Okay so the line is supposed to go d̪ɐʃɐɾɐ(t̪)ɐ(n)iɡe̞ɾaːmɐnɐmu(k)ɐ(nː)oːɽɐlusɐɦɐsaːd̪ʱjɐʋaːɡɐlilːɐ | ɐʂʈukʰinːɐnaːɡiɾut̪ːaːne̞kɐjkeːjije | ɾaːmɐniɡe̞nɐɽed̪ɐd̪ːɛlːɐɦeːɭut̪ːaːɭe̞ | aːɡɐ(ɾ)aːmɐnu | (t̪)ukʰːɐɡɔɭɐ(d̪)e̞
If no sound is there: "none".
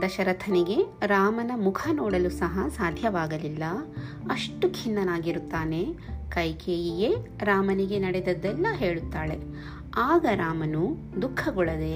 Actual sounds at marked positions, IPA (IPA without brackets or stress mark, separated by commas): t̪ʰ, n, kʰ, n, ɾ, d̪, d̪